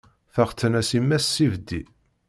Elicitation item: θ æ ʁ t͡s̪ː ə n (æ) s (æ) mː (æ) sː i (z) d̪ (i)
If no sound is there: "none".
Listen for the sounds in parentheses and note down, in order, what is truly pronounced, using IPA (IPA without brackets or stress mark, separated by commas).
æ, i, æ, v, i